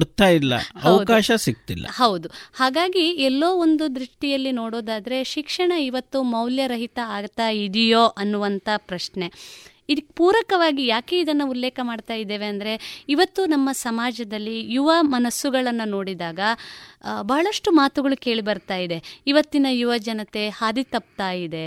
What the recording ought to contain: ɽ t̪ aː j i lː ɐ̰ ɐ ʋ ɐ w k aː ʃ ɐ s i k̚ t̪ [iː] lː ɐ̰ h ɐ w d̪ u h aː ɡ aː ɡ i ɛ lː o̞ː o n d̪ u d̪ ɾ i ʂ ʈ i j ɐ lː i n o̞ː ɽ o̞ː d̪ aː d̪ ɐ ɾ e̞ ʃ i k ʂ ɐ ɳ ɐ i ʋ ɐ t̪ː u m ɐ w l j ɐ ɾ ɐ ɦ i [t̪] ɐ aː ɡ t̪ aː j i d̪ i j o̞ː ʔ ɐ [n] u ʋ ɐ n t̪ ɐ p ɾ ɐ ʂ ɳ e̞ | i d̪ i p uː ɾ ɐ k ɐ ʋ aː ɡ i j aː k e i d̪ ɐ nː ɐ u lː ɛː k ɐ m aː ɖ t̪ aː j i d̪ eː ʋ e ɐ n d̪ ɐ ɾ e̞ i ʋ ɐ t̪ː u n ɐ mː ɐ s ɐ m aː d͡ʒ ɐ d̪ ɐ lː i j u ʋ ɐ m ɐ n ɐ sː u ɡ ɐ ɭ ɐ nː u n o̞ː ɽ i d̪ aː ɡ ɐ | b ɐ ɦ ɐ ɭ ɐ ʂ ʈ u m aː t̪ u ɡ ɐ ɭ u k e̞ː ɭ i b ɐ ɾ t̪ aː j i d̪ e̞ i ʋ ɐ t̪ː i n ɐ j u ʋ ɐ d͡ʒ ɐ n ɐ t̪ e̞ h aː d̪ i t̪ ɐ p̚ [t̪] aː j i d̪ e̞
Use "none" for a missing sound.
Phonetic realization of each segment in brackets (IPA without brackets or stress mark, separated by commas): i, t̪, nː, t̪